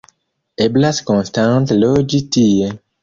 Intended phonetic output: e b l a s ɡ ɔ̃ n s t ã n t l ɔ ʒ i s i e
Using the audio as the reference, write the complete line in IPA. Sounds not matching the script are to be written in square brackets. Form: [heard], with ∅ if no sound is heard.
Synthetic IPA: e b l a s [k] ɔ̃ n s t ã n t l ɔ [d͡ʒ] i [t] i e